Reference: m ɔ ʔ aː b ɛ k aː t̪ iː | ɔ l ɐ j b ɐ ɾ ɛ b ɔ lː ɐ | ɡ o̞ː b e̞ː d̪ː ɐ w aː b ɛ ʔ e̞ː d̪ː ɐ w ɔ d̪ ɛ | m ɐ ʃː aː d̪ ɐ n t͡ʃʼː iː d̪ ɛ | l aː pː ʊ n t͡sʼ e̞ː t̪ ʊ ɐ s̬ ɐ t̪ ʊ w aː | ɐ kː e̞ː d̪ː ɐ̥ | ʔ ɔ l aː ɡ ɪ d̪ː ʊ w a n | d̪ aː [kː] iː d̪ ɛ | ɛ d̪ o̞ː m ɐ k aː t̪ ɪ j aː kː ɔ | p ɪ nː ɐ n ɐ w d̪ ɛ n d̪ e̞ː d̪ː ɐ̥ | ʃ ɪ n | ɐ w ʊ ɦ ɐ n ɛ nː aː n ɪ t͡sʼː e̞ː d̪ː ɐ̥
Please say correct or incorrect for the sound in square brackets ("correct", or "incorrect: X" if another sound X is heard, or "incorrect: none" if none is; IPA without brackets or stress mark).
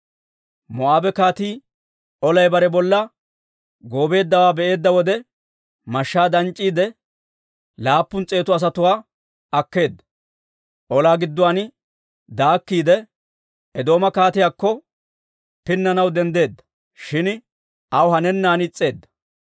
correct